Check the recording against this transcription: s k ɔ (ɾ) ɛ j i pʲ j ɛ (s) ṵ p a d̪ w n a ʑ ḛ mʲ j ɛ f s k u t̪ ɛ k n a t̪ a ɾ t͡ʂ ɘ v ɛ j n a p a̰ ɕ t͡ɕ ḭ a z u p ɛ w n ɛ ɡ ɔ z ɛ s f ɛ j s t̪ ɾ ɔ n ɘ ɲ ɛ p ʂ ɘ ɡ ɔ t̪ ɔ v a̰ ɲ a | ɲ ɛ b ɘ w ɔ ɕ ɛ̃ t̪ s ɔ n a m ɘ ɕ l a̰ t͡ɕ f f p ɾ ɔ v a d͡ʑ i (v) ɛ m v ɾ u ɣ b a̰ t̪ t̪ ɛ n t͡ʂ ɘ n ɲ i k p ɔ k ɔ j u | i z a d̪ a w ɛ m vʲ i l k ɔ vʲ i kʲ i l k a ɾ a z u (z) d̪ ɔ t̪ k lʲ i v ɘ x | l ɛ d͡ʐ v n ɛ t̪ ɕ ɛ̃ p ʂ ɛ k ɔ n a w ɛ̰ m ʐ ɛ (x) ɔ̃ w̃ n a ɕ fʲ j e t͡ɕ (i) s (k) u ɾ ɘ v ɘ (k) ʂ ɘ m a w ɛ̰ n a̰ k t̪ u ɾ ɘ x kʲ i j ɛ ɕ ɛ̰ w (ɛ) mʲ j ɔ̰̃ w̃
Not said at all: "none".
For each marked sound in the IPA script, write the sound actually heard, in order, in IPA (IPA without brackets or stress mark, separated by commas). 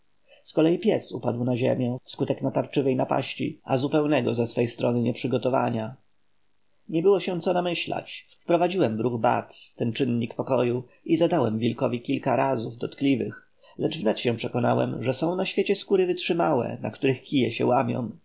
l, s, w, v, s, ɛ, k, t, a